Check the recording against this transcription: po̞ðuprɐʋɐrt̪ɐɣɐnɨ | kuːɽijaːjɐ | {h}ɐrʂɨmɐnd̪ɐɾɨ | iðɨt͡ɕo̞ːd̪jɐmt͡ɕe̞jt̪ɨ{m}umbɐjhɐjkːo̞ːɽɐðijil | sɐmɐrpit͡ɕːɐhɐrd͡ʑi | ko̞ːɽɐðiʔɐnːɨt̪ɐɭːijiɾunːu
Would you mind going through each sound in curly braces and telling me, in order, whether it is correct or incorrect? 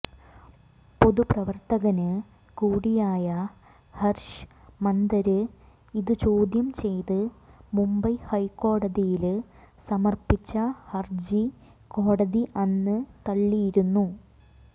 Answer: correct, correct

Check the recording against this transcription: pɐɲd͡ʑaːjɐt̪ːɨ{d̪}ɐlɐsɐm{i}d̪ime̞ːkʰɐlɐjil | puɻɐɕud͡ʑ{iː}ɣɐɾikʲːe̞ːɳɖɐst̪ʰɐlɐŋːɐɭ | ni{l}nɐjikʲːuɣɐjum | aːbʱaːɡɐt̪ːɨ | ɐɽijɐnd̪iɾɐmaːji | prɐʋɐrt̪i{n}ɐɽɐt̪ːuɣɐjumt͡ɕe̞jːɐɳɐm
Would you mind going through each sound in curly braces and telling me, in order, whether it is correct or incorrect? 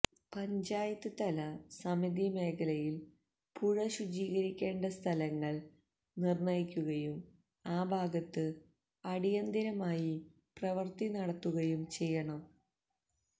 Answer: incorrect, correct, correct, incorrect, correct

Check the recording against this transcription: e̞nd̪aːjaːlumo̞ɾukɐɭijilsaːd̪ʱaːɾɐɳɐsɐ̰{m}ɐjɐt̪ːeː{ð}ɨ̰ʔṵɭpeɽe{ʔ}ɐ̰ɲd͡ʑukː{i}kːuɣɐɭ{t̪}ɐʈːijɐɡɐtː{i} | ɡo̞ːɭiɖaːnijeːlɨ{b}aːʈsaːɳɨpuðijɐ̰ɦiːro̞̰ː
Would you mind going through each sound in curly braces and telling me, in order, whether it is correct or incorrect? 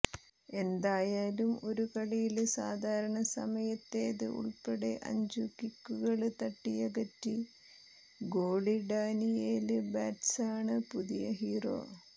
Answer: correct, correct, correct, correct, correct, correct, correct

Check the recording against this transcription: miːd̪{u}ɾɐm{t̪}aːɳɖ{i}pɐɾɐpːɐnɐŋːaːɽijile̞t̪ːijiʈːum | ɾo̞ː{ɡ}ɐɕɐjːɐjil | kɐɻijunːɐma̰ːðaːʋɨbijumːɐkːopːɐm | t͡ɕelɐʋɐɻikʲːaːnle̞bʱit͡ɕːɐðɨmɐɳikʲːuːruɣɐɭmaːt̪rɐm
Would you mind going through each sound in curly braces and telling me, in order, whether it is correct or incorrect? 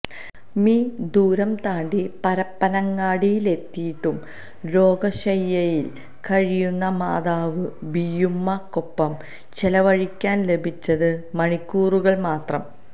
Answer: incorrect, correct, correct, correct

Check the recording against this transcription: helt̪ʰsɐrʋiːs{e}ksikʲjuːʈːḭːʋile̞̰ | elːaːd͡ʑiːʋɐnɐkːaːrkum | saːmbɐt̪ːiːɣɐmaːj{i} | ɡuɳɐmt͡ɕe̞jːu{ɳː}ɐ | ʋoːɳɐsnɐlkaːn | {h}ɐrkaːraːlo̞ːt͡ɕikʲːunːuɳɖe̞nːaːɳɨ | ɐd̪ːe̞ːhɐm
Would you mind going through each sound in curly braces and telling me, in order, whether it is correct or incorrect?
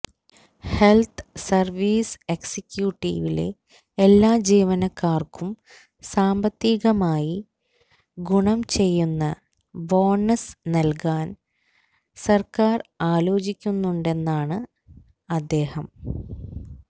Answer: correct, correct, incorrect, incorrect

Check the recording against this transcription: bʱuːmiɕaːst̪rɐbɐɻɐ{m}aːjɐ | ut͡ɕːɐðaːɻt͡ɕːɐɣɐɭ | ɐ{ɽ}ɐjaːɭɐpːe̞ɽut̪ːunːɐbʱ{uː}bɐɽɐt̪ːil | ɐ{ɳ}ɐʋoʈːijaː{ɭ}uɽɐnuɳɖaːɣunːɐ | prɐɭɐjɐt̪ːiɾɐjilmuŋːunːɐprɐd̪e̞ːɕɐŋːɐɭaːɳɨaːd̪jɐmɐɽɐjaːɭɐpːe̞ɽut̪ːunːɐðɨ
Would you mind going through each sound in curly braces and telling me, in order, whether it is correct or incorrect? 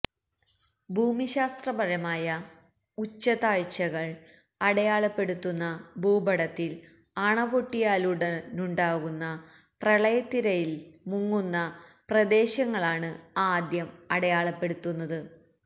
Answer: correct, correct, correct, correct, incorrect

